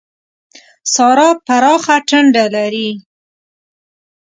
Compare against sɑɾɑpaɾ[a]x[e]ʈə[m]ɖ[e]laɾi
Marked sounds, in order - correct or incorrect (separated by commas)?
incorrect, incorrect, incorrect, incorrect